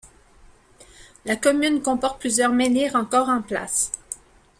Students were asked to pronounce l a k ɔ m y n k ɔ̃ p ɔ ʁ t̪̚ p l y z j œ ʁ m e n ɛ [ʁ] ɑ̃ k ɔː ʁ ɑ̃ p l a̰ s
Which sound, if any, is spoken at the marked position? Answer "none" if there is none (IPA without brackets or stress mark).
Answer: ʁ